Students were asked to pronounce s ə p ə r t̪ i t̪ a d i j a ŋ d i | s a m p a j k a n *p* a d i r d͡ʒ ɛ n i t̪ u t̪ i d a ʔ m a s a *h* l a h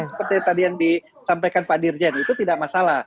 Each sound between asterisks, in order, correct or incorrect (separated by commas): correct, incorrect